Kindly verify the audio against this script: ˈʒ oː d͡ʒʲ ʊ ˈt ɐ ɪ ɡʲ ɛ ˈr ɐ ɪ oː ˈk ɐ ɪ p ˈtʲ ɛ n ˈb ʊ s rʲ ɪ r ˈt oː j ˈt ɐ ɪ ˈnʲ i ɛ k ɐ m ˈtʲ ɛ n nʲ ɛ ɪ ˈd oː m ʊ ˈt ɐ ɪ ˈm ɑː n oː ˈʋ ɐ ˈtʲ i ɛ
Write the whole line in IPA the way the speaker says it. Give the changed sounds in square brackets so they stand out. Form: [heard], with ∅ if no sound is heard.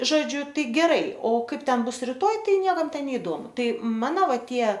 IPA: ˈʒ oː d͡ʒʲ ʊ ˈt ɐ ɪ ɡʲ ɛ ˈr ɐ ɪ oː ˈk ɐ ɪ p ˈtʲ ɛ n ˈb ʊ s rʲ ɪ [∅] ˈt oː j ˈt ɐ ɪ ˈnʲ i ɛ k ɐ m ˈtʲ ɛ n nʲ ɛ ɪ ˈd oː m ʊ ˈt ɐ ɪ ˈm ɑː n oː ˈʋ ɐ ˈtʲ i ɛ